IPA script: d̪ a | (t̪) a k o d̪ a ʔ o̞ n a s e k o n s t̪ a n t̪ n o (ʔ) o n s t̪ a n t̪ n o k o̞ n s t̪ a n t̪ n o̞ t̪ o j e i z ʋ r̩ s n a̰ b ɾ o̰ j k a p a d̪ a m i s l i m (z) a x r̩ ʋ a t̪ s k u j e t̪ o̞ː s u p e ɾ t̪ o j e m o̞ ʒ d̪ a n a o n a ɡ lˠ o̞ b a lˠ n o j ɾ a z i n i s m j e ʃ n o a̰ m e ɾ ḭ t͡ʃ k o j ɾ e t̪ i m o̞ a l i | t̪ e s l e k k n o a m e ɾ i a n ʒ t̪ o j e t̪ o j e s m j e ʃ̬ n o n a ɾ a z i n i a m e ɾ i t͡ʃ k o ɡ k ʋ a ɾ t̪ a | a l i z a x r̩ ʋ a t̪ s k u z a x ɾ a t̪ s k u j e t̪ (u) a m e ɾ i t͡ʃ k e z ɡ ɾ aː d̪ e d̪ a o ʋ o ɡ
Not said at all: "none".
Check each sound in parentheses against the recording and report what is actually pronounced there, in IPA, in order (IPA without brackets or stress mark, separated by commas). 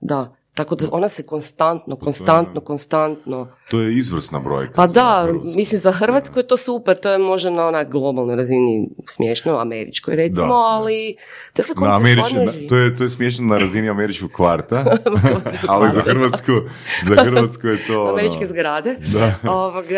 t̪, k, z, o